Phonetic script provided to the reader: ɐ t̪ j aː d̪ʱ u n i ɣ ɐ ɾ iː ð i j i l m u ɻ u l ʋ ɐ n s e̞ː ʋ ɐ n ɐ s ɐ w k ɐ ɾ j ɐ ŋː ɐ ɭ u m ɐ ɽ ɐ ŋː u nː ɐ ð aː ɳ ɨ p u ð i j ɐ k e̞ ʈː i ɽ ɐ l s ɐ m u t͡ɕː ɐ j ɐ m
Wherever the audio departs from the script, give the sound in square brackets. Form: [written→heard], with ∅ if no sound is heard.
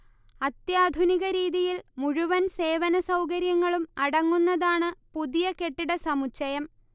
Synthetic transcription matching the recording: ɐ t̪ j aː d̪ʱ u n i ɣ ɐ ɾ iː ð i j i l m u ɻ u [l→∅] ʋ ɐ n s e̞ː ʋ ɐ n ɐ s ɐ w k ɐ ɾ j ɐ ŋː ɐ ɭ u m ɐ ɽ ɐ ŋː u nː ɐ ð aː ɳ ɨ p u ð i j ɐ k e̞ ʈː i ɽ ɐ [l→∅] s ɐ m u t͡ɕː ɐ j ɐ m